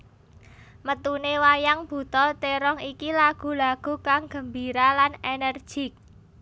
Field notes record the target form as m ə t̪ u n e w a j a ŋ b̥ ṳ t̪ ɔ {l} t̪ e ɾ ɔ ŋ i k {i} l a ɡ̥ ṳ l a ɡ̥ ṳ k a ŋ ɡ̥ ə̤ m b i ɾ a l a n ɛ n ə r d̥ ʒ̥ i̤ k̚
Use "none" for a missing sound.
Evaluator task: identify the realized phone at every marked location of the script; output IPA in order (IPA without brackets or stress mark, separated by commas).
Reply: l, i